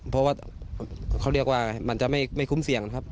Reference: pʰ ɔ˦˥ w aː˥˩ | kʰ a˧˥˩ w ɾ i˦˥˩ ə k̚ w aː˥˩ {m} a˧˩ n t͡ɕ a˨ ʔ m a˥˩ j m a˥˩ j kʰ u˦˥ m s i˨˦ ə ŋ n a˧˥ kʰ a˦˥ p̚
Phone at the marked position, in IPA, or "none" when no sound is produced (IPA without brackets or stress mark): m